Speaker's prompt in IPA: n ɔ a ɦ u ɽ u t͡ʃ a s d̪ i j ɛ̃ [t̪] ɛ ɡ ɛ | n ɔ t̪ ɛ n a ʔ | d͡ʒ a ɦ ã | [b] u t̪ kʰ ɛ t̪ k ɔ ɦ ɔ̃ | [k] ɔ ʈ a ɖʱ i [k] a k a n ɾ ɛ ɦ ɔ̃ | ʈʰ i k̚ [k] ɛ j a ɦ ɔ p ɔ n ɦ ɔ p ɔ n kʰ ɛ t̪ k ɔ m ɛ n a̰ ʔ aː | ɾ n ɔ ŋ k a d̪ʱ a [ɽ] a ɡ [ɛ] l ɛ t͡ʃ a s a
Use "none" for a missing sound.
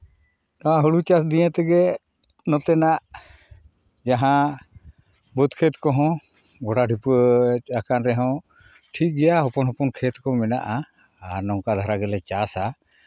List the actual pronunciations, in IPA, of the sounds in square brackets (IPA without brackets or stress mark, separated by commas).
t̪, b, ɡ, p, ɡ, ɾ, ɛ